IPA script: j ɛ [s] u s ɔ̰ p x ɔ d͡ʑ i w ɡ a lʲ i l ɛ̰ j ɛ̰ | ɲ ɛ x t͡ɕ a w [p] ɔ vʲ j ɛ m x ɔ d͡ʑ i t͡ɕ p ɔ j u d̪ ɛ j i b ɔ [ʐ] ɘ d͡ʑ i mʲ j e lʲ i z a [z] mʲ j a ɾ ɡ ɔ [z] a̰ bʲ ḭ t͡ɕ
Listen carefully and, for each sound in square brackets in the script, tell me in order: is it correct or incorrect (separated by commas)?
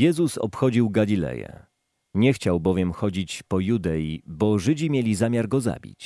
incorrect, incorrect, correct, incorrect, correct